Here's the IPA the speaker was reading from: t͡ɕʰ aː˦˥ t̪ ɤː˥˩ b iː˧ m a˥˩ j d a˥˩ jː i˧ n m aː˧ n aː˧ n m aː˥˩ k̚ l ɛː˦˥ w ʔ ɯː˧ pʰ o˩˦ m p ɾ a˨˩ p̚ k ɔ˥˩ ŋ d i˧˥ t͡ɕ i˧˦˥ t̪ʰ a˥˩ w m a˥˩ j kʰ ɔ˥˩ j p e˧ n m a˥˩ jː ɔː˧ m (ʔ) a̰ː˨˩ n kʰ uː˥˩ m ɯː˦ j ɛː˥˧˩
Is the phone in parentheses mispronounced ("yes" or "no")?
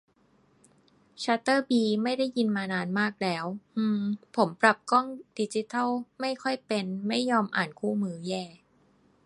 no